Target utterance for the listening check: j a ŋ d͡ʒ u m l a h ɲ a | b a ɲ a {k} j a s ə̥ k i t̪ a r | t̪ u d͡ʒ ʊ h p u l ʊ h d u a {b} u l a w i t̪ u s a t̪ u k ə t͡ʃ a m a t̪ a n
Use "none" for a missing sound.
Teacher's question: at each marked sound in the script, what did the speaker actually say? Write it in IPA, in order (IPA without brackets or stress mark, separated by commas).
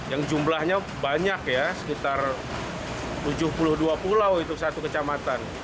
k, p